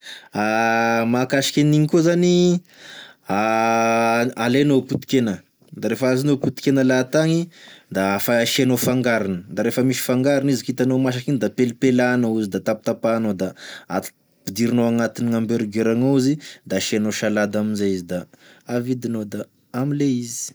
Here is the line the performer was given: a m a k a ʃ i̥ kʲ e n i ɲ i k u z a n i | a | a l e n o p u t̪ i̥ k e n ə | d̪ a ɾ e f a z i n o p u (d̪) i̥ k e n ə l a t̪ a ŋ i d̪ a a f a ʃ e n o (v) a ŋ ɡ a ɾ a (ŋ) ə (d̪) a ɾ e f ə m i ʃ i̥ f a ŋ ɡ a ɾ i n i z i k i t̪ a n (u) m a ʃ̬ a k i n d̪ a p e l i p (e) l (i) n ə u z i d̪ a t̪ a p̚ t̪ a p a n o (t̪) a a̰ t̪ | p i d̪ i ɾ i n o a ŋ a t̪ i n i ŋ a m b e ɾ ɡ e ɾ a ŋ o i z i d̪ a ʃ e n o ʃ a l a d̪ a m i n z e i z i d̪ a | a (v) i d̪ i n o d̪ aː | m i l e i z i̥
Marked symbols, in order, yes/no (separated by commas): no, no, no, yes, no, yes, no, no, yes